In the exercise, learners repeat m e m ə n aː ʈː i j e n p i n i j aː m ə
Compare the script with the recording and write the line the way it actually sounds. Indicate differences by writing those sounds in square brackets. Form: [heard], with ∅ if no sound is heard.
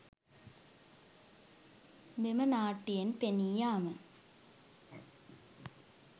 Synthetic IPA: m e m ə n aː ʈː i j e n p [e] n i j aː m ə